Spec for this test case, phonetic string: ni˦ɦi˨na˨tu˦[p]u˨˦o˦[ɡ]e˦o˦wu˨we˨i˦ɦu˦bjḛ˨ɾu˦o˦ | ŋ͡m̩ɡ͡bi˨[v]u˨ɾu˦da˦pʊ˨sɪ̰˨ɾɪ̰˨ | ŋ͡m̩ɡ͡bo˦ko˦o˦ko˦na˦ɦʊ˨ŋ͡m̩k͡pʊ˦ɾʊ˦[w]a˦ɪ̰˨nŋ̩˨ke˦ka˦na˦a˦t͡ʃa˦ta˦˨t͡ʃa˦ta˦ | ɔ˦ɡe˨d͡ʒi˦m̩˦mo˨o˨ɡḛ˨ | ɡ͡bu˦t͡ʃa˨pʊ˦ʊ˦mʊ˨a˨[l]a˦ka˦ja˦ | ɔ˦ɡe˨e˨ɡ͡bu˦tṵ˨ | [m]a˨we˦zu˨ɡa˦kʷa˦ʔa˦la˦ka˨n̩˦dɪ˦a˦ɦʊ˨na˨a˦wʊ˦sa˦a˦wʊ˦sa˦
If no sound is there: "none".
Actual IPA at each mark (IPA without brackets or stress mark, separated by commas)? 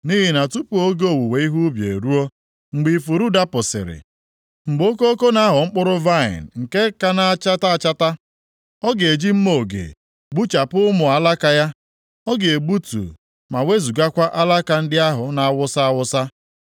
p, ɡ, f, v, l, m